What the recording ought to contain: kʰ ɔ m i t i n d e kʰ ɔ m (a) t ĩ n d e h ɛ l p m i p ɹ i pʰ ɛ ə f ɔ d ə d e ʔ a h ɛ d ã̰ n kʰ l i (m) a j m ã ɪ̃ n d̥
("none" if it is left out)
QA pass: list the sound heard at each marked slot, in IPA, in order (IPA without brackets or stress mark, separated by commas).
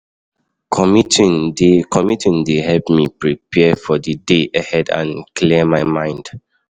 i, m